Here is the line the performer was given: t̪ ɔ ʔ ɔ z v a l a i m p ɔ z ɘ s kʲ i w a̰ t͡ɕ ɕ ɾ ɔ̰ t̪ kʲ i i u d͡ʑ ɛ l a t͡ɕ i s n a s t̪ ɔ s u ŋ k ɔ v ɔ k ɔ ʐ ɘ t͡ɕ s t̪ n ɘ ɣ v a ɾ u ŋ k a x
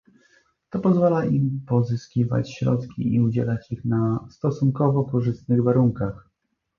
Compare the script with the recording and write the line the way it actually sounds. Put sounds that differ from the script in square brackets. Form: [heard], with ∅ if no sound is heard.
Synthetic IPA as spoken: t̪ ɔ [p] ɔ z v a l a i m p ɔ z ɘ s kʲ i [v] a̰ t͡ɕ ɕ ɾ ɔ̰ t̪ kʲ i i u d͡ʑ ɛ l a t͡ɕ i [x] n a s t̪ ɔ s u ŋ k ɔ v ɔ k ɔ ʐ ɘ [∅] s t̪ n ɘ ɣ v a ɾ u ŋ k a x